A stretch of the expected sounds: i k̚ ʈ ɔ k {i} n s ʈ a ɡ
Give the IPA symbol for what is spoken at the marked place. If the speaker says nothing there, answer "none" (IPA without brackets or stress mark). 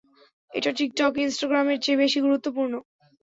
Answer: i